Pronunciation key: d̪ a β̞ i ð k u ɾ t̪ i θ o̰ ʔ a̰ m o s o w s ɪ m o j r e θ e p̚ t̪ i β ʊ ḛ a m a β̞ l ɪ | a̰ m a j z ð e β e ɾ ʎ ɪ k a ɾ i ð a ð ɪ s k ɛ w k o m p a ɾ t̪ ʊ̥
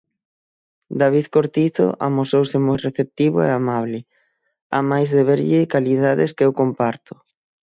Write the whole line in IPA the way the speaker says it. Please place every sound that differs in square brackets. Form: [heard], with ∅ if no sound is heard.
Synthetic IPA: d̪ a β̞ i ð k [o] ɾ t̪ i θ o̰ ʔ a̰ m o s o w s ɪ m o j r e θ e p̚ t̪ i β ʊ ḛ a m a β̞ l ɪ | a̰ m a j z ð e β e ɾ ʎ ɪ k a [l] i ð a ð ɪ s k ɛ w k o m p a ɾ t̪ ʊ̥

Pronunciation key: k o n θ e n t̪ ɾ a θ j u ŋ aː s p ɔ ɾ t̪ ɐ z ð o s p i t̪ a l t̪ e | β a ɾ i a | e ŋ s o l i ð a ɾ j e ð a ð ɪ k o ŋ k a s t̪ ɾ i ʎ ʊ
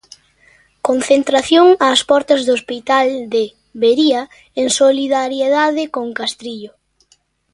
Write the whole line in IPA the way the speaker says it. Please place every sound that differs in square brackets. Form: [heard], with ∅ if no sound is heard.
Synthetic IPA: k o n θ e n t̪ ɾ a θ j [o] ŋ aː s p ɔ ɾ t̪ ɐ z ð o s p i t̪ a l [d̪] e | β [e] ɾ i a | e ŋ s o l i ð a ɾ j e ð a ð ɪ k o ŋ k a s t̪ ɾ i ʎ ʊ

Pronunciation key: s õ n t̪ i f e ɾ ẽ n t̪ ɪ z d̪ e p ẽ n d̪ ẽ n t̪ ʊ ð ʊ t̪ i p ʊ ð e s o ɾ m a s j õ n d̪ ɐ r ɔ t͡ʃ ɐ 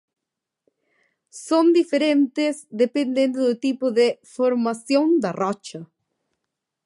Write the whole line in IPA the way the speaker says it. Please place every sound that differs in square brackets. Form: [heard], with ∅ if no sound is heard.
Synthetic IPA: s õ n [d̪] i f e ɾ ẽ n t̪ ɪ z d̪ e p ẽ n d̪ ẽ n [d̪] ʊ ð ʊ t̪ i p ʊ ð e [f] o ɾ m a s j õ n d̪ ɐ r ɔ t͡ʃ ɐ

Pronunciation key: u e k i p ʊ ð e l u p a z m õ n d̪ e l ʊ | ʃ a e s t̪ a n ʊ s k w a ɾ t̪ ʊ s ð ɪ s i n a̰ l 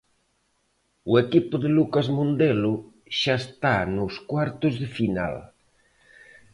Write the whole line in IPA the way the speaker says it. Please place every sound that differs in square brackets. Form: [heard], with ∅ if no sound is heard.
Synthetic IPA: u e k i p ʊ ð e l u [k] a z m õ n d̪ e l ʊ | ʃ a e s t̪ a n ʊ s k w a ɾ t̪ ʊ [z] ð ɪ [f] i n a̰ l

